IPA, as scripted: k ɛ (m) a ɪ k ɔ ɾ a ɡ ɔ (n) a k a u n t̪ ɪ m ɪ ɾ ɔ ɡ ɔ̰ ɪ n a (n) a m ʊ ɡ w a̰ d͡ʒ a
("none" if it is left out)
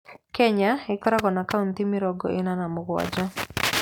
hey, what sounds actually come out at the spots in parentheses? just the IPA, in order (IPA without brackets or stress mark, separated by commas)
ɲ, n, n